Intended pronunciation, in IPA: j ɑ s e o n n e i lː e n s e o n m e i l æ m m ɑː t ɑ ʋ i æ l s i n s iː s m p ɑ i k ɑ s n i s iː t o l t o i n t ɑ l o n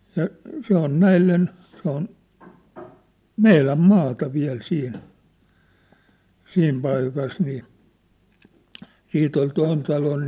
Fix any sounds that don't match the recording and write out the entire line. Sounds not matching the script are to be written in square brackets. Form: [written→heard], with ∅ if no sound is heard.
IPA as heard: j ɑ s e o n n [e→æ] i lː e n s e o n m e i l æ m m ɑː t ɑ ʋ i æ l s [i→iː] n s iː [s→∅] m p ɑ i k ɑ s n [i→iː] s iː t o l t o i n t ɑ l o n